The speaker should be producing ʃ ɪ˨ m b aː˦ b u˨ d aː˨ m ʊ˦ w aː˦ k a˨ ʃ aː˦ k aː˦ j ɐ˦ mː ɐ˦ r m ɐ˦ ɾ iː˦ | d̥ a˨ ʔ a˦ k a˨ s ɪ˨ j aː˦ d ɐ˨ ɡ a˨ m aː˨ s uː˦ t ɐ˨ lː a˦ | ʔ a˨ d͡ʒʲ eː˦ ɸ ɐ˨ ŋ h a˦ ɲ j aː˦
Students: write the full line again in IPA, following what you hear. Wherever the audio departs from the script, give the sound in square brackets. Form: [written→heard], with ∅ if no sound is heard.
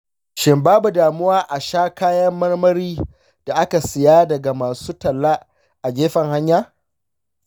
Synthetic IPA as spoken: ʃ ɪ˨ m b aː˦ b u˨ d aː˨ m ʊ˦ w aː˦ [k→ʔ] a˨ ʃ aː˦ k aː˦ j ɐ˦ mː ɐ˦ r m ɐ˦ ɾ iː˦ | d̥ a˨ ʔ a˦ k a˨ s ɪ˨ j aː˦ d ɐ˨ ɡ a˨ m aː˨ s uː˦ t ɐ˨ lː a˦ | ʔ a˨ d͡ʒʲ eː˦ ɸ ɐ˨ ŋ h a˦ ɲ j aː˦